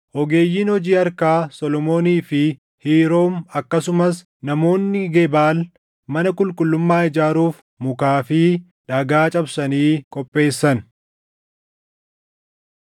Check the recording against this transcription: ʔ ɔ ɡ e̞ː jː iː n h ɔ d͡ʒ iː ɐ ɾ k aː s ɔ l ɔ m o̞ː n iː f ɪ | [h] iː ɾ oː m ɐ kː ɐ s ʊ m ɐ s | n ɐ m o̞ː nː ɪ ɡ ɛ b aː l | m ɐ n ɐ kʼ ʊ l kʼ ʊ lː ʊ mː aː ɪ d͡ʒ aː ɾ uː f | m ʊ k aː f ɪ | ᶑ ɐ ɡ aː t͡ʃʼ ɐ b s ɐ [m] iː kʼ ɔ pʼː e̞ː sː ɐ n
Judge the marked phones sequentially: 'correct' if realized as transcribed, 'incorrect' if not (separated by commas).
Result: correct, incorrect